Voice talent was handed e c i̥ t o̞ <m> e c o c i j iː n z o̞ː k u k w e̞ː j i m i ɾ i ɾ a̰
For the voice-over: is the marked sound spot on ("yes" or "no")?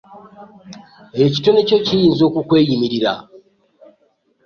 no